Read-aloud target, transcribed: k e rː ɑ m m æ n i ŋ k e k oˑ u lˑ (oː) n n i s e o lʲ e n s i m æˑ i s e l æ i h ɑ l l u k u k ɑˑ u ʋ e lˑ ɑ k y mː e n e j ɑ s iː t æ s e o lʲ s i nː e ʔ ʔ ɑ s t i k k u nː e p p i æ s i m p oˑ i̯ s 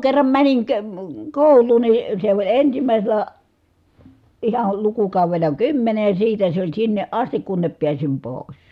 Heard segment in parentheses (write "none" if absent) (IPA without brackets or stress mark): uː